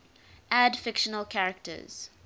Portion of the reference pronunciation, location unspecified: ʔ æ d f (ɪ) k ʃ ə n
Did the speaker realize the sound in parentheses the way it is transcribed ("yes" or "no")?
yes